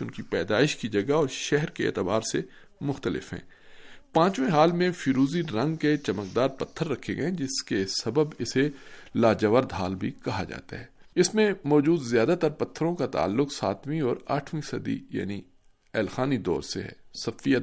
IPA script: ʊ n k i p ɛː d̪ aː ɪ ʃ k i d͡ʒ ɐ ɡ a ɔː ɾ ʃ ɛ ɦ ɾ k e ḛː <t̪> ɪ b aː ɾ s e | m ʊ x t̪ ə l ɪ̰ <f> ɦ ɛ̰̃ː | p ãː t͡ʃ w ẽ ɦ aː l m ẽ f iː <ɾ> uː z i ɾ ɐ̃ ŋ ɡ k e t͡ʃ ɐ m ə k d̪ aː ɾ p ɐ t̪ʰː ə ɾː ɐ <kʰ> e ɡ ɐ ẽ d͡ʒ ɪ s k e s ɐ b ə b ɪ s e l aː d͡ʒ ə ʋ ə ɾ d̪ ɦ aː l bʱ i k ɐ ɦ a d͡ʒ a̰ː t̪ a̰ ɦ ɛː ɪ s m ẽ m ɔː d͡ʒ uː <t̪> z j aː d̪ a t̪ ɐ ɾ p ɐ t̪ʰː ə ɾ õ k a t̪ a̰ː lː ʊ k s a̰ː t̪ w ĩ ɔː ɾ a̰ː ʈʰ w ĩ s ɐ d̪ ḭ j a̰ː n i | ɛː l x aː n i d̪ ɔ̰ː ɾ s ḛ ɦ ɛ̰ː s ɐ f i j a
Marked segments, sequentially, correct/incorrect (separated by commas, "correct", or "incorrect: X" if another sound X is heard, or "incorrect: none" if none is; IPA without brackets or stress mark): correct, correct, correct, correct, incorrect: d̪